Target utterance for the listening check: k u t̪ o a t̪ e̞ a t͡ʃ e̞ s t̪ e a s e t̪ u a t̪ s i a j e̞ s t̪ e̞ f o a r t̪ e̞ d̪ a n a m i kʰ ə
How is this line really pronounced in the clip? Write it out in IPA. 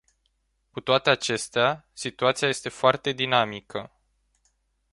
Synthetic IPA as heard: k u t̪ o a t̪ e̞ a t͡ʃ e̞ s t̪ e a s i t̪ u a t̪ s i a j e̞ s t̪ e̞ f o a r t̪ e̞ d̪ i n a m i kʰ ə